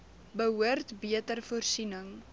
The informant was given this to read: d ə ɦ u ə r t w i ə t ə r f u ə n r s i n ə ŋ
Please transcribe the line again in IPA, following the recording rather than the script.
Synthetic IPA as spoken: b ə ɦ u ə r t b i ə t ə r f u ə r s i n ə ŋ